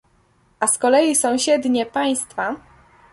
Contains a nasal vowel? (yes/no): yes